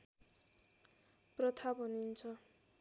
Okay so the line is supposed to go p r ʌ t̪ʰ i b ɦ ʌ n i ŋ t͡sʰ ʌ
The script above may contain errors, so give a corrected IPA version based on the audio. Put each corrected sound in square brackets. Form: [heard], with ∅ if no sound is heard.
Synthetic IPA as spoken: p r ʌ t̪ʰ [a] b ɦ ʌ n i [n] t͡sʰ ʌ